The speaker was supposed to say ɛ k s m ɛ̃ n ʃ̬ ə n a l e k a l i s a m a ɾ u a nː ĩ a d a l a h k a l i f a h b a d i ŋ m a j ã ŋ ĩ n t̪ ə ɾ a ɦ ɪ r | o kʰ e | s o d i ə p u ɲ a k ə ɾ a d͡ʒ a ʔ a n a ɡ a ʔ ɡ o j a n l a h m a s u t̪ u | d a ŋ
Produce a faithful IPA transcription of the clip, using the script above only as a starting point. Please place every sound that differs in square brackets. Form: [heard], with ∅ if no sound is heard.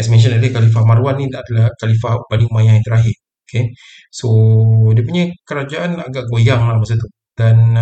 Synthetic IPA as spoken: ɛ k s m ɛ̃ n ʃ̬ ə n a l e k a l i [f] a m a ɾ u a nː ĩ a d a l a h k a l i f a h b a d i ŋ m a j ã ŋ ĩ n t̪ ə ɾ a ɦ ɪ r | o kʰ e | s o d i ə p u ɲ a k ə ɾ a d͡ʒ a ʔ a n a ɡ a ʔ ɡ o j a [ŋ] l a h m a s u t̪ u | d a [n]